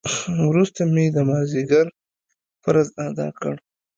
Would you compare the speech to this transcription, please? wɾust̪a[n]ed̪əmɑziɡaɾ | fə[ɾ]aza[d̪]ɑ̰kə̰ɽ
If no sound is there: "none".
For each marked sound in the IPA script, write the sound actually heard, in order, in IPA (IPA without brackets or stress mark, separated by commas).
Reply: m, ɾ, d̪